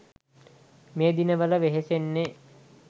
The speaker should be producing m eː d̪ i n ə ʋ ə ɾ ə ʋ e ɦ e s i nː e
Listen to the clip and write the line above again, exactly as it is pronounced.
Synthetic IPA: m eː d̪ i n ə ʋ ə l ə ʋ e ɦ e s e nː e